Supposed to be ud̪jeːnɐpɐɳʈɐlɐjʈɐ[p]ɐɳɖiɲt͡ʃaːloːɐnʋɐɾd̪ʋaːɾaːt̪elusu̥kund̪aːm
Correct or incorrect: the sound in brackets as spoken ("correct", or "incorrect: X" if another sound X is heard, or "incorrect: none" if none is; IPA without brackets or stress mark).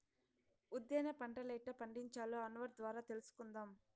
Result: correct